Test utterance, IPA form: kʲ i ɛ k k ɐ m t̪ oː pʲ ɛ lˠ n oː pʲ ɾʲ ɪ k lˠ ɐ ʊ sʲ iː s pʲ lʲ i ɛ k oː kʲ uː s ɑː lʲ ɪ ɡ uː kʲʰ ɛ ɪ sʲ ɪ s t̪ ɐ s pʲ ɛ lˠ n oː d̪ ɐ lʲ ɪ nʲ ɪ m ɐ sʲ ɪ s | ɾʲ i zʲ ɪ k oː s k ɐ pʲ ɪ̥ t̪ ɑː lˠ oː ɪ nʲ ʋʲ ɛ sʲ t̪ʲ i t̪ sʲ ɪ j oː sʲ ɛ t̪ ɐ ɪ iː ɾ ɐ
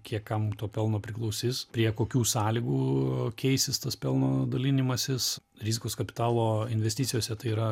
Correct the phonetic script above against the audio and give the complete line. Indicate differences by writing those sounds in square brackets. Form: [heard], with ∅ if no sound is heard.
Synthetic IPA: kʲ i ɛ k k ɐ m t̪ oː pʲ ɛ lˠ n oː pʲ ɾʲ ɪ k lˠ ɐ ʊ sʲ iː s pʲ [ɾʲ] i ɛ k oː kʲ uː s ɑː lʲ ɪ ɡ uː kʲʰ ɛ ɪ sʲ ɪ s t̪ ɐ s pʲ ɛ lˠ n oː d̪ ɐ lʲ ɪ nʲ ɪ m ɐ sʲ ɪ s | ɾʲ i zʲ ɪ k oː s k ɐ pʲ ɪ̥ t̪ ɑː lˠ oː ɪ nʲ ʋʲ ɛ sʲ t̪ʲ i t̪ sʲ ɪ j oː sʲ ɛ t̪ ɐ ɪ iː ɾ ɐ

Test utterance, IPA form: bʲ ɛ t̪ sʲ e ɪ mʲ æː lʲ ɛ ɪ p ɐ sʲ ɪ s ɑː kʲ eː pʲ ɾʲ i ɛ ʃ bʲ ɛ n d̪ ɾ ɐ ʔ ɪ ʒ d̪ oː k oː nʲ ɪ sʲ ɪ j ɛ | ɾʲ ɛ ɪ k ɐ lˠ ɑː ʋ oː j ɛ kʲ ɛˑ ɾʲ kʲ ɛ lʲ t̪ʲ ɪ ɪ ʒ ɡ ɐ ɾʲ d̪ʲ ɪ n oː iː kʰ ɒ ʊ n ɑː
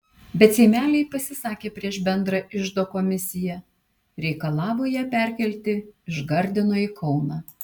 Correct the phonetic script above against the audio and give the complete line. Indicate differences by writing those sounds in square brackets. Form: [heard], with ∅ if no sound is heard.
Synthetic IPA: bʲ ɛ t̪ sʲ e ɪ mʲ æː lʲ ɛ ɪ p ɐ sʲ ɪ s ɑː kʲ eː pʲ ɾʲ i ɛ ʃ bʲ ɛ n d̪ ɾ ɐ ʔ ɪ ʒ d̪ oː k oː [mʲ] ɪ sʲ ɪ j ɛ | ɾʲ ɛ ɪ k ɐ lˠ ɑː ʋ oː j ɛ [pʲ] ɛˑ ɾʲ kʲ ɛ lʲ t̪ʲ ɪ ɪ ʒ ɡ ɐ ɾʲ d̪ʲ ɪ n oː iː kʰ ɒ ʊ n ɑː

